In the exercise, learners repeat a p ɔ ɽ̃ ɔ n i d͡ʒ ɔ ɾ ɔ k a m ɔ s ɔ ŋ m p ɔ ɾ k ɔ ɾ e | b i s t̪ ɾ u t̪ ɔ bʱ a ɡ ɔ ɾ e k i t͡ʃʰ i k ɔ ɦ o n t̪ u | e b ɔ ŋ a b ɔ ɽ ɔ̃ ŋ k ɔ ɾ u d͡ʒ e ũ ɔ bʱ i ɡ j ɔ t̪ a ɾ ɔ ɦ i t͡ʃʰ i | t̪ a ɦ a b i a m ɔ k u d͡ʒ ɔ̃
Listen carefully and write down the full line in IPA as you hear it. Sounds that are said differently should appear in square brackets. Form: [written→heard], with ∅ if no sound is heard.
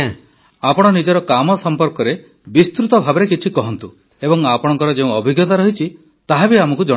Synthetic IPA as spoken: a p ɔ ɽ̃ ɔ n i d͡ʒ ɔ ɾ ɔ k a m ɔ s ɔ [ŋ→∅] m p ɔ ɾ k ɔ ɾ e | b i s t̪ ɾ u t̪ ɔ bʱ a [ɡ→b] ɔ ɾ e k i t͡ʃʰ i k ɔ ɦ [o→ɔ] n t̪ u | e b ɔ ŋ a [b→p] ɔ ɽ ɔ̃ ŋ k ɔ ɾ [u→ɔ] d͡ʒ e ũ ɔ bʱ i ɡ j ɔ t̪ a ɾ ɔ ɦ i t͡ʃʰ i | t̪ a ɦ a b i a m ɔ k u d͡ʒ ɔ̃

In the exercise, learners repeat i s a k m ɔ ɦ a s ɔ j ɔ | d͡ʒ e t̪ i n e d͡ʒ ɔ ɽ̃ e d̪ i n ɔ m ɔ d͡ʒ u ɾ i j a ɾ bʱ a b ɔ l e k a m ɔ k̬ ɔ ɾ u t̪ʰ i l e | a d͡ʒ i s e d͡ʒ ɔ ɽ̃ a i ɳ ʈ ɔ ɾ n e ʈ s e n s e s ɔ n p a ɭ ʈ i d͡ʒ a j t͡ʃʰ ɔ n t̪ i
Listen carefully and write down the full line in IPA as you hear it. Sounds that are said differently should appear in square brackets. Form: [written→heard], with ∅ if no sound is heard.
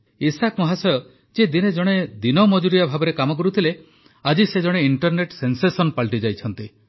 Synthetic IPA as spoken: i s a k m ɔ ɦ a s ɔ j ɔ | d͡ʒ e [t̪→d̪] i n e d͡ʒ ɔ ɽ̃ e d̪ i n ɔ m ɔ d͡ʒ u ɾ i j a [ɾ→∅] bʱ a b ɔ [l→ɾ] e k a m ɔ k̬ ɔ ɾ u t̪ʰ i l e | a d͡ʒ i s e d͡ʒ ɔ ɽ̃ [a→e] i ɳ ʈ ɔ ɾ n e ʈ s e n s e s ɔ n p a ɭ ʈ i d͡ʒ a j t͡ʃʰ ɔ n t̪ i

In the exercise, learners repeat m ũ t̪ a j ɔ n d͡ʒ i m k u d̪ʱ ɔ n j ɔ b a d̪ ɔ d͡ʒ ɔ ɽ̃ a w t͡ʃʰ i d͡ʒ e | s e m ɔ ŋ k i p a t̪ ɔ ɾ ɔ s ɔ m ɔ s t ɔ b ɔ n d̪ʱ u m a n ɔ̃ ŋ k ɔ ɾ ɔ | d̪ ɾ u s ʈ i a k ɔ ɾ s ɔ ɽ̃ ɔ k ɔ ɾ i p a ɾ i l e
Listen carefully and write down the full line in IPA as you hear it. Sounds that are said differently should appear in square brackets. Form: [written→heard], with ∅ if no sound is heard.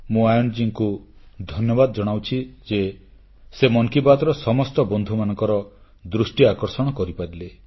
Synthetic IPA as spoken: m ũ [t̪→∅] a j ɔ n d͡ʒ i [m→ŋ] k u d̪ʱ ɔ n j ɔ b a d̪ ɔ d͡ʒ ɔ ɽ̃ a w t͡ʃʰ i d͡ʒ e | s e m ɔ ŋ k i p a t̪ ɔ ɾ ɔ s ɔ m ɔ s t ɔ b ɔ n d̪ʱ u m a n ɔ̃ ŋ k ɔ ɾ ɔ | d̪ ɾ u s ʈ i a k ɔ ɾ s ɔ ɽ̃ ɔ k ɔ ɾ i p a ɾ i l e

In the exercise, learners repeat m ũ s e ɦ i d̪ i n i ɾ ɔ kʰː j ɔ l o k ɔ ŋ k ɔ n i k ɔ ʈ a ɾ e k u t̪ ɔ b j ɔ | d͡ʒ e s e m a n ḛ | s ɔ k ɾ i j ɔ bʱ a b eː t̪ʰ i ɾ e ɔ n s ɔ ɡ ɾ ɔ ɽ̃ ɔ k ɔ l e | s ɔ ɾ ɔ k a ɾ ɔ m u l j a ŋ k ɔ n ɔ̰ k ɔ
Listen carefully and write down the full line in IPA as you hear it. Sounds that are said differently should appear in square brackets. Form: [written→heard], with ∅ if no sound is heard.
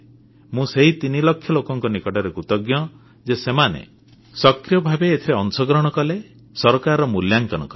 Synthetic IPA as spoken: m ũ s e ɦ i [d̪→t̪] i n i [ɾ→l] ɔ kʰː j ɔ l o k ɔ ŋ k ɔ n i k ɔ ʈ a ɾ e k u t̪ ɔ [b→ɡ] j ɔ | d͡ʒ e s e m a n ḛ | s ɔ k ɾ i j ɔ bʱ a b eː t̪ʰ i ɾ e ɔ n s ɔ ɡ ɾ ɔ ɽ̃ ɔ k ɔ l e | s ɔ ɾ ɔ k a ɾ ɔ m u l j a ŋ k ɔ n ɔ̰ k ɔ

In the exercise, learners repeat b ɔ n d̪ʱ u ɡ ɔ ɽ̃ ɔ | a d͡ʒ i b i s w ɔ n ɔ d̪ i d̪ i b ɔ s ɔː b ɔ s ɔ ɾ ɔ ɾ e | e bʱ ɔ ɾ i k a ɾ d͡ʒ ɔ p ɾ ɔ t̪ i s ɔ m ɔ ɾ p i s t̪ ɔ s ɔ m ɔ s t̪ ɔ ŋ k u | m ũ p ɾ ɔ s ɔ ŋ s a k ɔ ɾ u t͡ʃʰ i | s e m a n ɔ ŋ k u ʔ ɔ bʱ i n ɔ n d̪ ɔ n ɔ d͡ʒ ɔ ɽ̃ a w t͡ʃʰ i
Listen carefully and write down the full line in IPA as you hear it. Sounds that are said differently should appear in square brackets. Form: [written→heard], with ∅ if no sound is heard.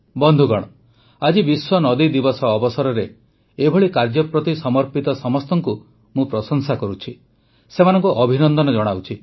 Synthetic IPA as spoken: b ɔ n d̪ʱ u ɡ ɔ ɽ̃ ɔ | a d͡ʒ i b i s w ɔ n ɔ d̪ i d̪ i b ɔ s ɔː b ɔ s ɔ ɾ ɔ ɾ e | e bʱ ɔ [ɾ→ɭ] i k a ɾ d͡ʒ ɔ p ɾ ɔ t̪ i s ɔ m ɔ ɾ p i [s→∅] t̪ ɔ s ɔ m ɔ s t̪ ɔ ŋ k u | m ũ p ɾ ɔ s ɔ ŋ s a k ɔ ɾ u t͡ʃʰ i | s e m a n ɔ ŋ k u ʔ ɔ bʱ i n ɔ n d̪ ɔ n ɔ d͡ʒ ɔ ɽ̃ a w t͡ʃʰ i

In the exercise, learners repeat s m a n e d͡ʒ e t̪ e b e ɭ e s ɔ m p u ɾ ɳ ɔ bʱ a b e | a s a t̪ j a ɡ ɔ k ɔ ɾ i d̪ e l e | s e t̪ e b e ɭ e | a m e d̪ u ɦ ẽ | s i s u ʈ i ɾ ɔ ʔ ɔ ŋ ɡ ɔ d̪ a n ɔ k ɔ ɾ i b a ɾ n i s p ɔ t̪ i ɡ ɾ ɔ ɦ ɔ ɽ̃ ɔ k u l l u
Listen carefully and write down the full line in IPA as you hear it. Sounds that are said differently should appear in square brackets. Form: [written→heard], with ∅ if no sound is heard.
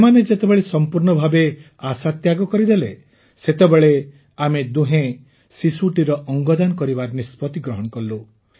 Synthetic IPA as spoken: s m a n e d͡ʒ e t̪ e b e ɭ e s ɔ m p u ɾ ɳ ɔ bʱ a b e | a s a t̪ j a ɡ ɔ k ɔ ɾ i d̪ e l e | s e t̪ e b e ɭ e | a m e d̪ u ɦ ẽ | s i s u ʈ i ɾ ɔ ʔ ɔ ŋ ɡ ɔ d̪ a n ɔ k ɔ ɾ i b a ɾ n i s p ɔ t̪ i ɡ ɾ ɔ ɦ ɔ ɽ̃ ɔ k [u→ɔ] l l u

